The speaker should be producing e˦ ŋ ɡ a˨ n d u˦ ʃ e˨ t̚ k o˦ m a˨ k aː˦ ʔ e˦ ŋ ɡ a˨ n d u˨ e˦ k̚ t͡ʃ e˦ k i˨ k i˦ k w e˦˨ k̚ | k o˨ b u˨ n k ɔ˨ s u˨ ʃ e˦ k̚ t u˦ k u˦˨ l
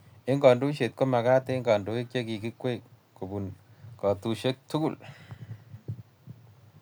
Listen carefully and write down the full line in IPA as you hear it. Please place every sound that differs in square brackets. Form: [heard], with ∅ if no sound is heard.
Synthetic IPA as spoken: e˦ ŋ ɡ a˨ n d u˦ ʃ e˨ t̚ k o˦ m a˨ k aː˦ [t] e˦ ŋ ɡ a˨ n d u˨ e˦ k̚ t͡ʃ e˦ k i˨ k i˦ k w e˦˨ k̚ | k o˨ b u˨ n k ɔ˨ [t] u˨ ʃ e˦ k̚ t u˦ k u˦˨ l